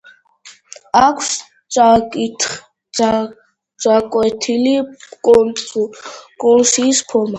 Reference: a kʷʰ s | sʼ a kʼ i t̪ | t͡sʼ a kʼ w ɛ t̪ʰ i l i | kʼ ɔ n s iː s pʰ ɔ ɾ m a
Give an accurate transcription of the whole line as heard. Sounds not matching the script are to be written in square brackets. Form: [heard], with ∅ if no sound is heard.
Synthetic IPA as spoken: a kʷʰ s | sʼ a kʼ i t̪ | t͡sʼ a kʼ w ɛ t̪ʰ i l i | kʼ ɔ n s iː s pʰ ɔ ɾ m a

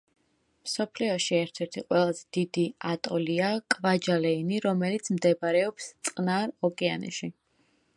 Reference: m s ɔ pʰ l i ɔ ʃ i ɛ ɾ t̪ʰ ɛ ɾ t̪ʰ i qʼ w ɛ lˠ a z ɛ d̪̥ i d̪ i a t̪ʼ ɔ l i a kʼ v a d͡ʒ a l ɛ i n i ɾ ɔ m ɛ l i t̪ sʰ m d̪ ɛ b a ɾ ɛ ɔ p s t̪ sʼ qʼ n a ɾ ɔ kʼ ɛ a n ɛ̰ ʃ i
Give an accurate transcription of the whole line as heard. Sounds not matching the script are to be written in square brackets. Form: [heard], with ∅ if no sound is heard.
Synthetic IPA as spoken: m s ɔ pʰ l i ɔ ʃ i ɛ ɾ t̪ʰ ɛ ɾ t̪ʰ i qʼ w ɛ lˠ a z ɛ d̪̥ i d̪ i a t̪ʼ ɔ l i a kʼ v a d͡ʒ a l ɛ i n i ɾ ɔ m ɛ l i t̪ sʰ m d̪ ɛ b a ɾ ɛ ɔ p s t̪ sʼ qʼ n a ɾ ɔ kʼ ɛ a n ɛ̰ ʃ i

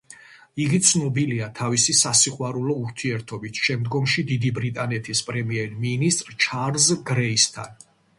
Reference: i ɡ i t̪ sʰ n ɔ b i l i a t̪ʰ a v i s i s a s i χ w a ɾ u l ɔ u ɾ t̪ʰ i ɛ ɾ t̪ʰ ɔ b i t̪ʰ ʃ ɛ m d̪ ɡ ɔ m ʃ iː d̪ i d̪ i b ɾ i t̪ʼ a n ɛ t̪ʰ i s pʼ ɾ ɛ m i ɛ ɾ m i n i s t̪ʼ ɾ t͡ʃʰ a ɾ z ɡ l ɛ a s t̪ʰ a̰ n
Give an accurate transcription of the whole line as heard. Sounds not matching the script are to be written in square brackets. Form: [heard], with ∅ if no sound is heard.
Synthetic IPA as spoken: i ɡ i t̪ sʰ n ɔ b i l i a t̪ʰ a v i s i s a s i χ w a ɾ u l ɔ u ɾ t̪ʰ i ɛ ɾ t̪ʰ ɔ b i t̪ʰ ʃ ɛ m d̪ ɡ ɔ m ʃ [i] d̪ i d̪ i b ɾ i t̪ʼ a n ɛ t̪ʰ i s pʼ ɾ ɛ m i ɛ ɾ m i n i s t̪ʼ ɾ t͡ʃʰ a ɾ z ɡ [ɾ] ɛ [i] s t̪ʰ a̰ n

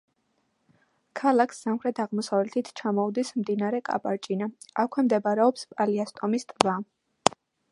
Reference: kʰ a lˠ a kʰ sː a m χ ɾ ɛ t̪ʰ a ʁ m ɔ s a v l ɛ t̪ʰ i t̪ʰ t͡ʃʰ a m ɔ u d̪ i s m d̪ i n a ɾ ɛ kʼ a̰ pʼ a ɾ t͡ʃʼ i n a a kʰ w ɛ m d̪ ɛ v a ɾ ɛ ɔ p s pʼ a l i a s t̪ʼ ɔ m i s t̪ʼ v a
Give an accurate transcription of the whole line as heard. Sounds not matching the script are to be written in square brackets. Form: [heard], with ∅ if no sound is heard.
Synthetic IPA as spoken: kʰ a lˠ a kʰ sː a m χ ɾ ɛ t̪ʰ a ʁ m ɔ s a v l ɛ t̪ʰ i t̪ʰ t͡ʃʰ a m ɔ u d̪ i s m d̪ i n a ɾ ɛ kʼ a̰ pʼ a ɾ t͡ʃʼ i n a a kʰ w ɛ m d̪ ɛ [b] a ɾ ɛ ɔ p s pʼ a l i a s t̪ʼ ɔ m i s t̪ʼ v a

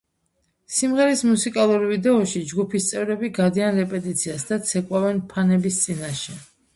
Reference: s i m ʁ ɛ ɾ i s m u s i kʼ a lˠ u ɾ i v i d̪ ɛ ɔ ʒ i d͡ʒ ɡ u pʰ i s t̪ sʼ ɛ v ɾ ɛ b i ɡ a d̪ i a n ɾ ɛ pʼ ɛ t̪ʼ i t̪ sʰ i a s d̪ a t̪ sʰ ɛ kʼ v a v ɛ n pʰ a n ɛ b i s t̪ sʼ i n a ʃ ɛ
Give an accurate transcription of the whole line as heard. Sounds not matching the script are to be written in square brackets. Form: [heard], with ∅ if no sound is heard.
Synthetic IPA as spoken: s i m ʁ ɛ ɾ i s m u s i kʼ a lˠ u ɾ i v i d̪ ɛ ɔ [ʃ] i d͡ʒ ɡ u pʰ i s t̪ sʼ ɛ v ɾ ɛ b i ɡ a d̪ i a n ɾ ɛ pʼ ɛ t̪ʼ i t̪ sʰ i a s d̪ a t̪ sʰ ɛ kʼ [w] a v ɛ n pʰ a n ɛ b i s t̪ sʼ i n a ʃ ɛ

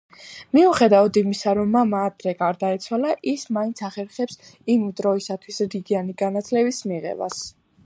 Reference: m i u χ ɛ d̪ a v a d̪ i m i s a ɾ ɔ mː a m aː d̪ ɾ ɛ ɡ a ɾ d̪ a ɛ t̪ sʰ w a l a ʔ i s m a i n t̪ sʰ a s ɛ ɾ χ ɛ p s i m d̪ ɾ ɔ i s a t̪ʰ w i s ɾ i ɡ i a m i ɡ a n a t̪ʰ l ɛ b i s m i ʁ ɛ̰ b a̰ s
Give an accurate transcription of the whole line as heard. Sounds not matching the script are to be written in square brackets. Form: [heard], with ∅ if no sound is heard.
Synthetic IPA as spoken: m i u χ ɛ d̪ a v a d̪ i m i s a ɾ ɔ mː a m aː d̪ ɾ ɛ ɡ a ɾ d̪ a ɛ t̪ sʰ w a l a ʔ i s m a i n t̪ sʰ a [χ] ɛ ɾ χ ɛ p s i m d̪ ɾ ɔ i s a t̪ʰ w i s ɾ i ɡ i a [n] i ɡ a n a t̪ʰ l ɛ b i s m i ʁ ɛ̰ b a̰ s

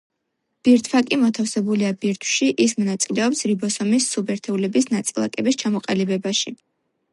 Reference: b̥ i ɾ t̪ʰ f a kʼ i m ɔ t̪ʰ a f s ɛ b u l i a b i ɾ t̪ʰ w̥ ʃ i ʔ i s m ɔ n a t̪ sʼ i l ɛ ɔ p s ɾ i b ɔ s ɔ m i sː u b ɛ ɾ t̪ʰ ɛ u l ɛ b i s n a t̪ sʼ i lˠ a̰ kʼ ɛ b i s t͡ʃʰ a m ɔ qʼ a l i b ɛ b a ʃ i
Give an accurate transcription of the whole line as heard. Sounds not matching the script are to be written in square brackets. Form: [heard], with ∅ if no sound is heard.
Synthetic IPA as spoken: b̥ i ɾ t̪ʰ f a kʼ i m ɔ t̪ʰ a f s ɛ b u l i a b i ɾ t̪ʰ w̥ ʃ i ʔ i s m ɔ n a t̪ sʼ i l ɛ ɔ p s ɾ i b ɔ s ɔ m i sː u b ɛ ɾ t̪ʰ ɛ u l ɛ b i s n a t̪ sʼ i lˠ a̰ kʼ ɛ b i s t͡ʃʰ a m ɔ qʼ a l i b ɛ b a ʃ i

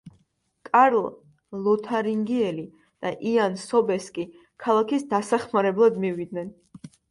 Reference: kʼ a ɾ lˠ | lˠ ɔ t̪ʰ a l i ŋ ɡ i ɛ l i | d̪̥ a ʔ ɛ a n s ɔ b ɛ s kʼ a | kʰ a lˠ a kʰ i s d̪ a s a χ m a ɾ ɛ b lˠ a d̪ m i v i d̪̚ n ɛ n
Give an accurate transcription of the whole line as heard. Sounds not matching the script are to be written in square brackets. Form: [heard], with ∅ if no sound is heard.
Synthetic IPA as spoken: kʼ a ɾ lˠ | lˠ ɔ t̪ʰ a [ɾ] i ŋ ɡ i ɛ l i | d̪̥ a ʔ [i] a n s ɔ b ɛ s kʼ [i] | kʰ a lˠ a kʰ i s d̪ a s a χ m a ɾ ɛ b lˠ a d̪ m i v i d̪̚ n ɛ n

